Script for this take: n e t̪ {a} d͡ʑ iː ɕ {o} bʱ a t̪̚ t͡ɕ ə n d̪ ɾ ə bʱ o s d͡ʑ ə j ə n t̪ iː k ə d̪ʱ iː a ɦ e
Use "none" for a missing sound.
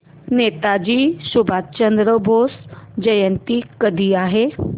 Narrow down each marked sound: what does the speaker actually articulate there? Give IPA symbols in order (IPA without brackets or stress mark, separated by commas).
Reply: a, u